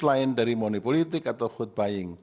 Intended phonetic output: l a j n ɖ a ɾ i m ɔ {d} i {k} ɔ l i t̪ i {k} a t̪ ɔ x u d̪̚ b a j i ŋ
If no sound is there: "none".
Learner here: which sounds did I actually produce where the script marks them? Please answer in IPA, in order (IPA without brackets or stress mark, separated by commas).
n, p, k